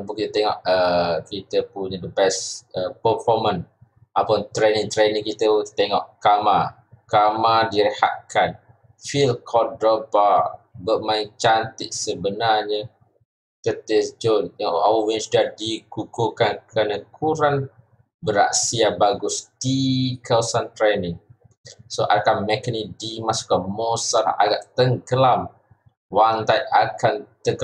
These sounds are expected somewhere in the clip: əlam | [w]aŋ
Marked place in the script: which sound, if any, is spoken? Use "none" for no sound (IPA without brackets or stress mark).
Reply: w